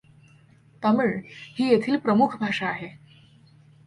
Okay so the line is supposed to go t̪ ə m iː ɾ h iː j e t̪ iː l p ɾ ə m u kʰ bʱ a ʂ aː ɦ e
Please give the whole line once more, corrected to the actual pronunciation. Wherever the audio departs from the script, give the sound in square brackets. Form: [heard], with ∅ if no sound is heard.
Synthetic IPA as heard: t̪ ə m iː [ɭ] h iː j e [t̪ʰ] iː l p ɾ ə m u kʰ bʱ a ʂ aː ɦ e